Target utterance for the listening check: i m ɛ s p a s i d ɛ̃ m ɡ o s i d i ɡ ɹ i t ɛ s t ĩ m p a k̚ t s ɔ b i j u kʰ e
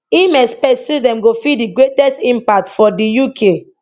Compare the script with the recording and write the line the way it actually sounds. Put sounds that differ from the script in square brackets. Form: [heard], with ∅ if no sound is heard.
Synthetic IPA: i m ɛ s p [ɛ] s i d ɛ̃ m ɡ o [f] i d i ɡ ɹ [e] t ɛ s t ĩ m p a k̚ t [f] ɔ [d] i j u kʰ e